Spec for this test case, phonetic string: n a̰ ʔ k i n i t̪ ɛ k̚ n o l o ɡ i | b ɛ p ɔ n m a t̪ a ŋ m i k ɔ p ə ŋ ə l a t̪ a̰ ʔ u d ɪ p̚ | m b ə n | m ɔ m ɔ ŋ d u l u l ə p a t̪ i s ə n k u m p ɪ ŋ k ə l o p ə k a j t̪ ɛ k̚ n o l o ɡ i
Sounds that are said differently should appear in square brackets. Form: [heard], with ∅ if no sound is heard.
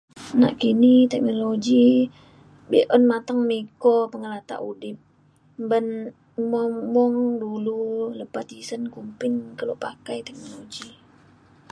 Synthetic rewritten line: n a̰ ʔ k i n i t̪ ɛ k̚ n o l o ɡ i | b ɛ [ʔ] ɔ n m a t̪ a ŋ m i k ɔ p ə ŋ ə l a t̪ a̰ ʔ u d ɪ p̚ | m b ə n | m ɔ m ɔ ŋ d u l u l ə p a t̪ i s ə n k u m p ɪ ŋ k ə l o p [a] k a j t̪ ɛ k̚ n o l o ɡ i